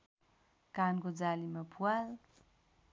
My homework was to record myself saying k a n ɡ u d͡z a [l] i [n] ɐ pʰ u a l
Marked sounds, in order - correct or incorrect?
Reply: correct, incorrect: m

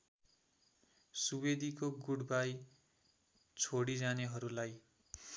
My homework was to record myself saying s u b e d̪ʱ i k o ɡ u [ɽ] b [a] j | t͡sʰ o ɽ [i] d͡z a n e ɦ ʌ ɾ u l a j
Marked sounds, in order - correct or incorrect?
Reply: correct, correct, correct

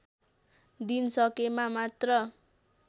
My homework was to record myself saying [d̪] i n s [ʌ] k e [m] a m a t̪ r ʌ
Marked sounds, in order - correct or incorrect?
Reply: correct, correct, correct

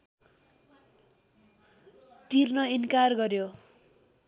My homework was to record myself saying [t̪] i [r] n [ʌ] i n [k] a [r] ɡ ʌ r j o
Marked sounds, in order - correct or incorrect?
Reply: correct, correct, correct, correct, correct

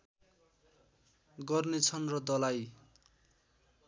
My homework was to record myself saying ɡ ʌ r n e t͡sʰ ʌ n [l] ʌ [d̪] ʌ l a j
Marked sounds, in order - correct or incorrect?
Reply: incorrect: r, correct

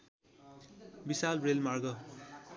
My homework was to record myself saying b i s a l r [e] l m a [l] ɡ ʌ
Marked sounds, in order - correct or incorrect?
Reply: correct, incorrect: r

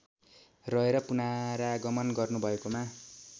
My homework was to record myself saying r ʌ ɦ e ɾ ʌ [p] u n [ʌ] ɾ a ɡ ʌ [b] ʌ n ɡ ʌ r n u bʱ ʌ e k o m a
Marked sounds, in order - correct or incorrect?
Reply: correct, incorrect: a, incorrect: m

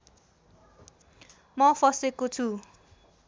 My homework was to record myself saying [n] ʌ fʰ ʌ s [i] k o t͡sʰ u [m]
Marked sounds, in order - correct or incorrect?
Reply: incorrect: m, incorrect: e, incorrect: none

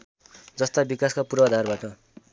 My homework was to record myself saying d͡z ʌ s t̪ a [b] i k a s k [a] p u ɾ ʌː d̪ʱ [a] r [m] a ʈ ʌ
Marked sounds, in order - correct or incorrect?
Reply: correct, correct, correct, incorrect: b

